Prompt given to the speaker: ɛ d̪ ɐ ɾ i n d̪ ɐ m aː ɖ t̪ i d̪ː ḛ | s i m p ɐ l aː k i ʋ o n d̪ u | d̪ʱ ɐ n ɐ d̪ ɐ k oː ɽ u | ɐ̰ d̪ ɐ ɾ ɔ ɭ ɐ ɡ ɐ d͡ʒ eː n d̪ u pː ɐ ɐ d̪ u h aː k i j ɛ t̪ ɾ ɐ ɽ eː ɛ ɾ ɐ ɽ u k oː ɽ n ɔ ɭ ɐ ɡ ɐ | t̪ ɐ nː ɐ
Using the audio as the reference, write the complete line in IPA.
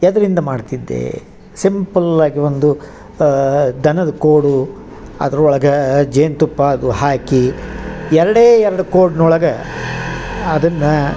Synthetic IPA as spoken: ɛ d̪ ɐ ɾ i n d̪ ɐ m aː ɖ t̪ i d̪ː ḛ | s i m p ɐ l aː ɡ i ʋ o n d̪ u | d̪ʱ ɐ n ɐ d̪ ɐ k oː ɽ u | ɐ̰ d̪ ɐ ɾ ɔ ɭ ɐ ɡ ɐ d͡ʒ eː n t̪ u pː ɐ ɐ d̪ u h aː k i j ɛ ɾ ɐ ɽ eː ɛ ɾ ɐ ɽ u k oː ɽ n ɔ ɭ ɐ ɡ ɐ | d̪ ɐ nː ɐ